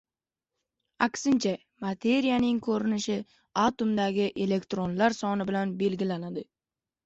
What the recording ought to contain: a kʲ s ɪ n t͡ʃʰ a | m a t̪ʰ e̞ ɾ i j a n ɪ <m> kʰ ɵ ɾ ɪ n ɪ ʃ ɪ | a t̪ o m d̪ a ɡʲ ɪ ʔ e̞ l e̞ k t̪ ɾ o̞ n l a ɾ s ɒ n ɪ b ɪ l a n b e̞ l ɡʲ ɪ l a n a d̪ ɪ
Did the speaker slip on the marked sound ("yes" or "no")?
yes